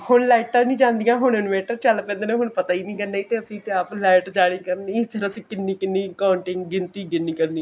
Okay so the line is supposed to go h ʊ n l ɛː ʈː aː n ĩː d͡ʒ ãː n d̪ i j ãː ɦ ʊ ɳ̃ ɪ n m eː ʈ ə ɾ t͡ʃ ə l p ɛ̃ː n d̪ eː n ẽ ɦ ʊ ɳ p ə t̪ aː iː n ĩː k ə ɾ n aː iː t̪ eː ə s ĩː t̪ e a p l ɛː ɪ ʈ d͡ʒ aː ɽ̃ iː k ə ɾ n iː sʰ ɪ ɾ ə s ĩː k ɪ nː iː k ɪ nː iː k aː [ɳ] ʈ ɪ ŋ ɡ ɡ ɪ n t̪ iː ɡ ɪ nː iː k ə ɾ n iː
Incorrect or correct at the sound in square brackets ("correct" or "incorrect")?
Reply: correct